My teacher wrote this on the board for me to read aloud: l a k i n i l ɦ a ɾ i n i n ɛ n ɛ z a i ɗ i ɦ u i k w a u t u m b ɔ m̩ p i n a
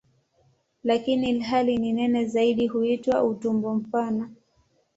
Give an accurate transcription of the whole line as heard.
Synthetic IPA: l a k i n i l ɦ a l i n i n ɛ n ɛ z a i ɗ i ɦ u i t w a u t u m b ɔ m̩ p a n a